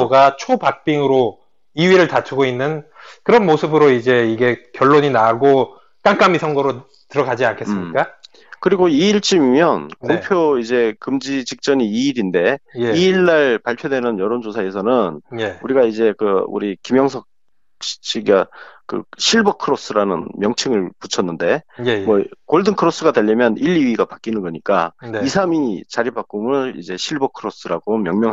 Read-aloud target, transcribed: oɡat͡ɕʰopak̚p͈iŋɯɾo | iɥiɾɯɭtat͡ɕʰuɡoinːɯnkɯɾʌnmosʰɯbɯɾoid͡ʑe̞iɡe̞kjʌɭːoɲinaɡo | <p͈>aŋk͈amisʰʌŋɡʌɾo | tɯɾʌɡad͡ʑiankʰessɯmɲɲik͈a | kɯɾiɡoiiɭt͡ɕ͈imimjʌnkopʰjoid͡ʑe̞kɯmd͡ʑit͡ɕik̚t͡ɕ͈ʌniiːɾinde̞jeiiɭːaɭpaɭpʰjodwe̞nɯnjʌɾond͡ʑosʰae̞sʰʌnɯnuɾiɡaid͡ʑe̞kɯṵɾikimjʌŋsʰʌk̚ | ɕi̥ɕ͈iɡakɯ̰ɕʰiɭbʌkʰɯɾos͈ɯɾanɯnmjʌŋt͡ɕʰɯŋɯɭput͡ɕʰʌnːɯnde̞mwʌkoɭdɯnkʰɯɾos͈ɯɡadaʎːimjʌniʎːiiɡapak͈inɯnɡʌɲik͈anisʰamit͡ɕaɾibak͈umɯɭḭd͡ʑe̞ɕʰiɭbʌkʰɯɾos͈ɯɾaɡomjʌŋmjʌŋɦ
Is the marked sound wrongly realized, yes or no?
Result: yes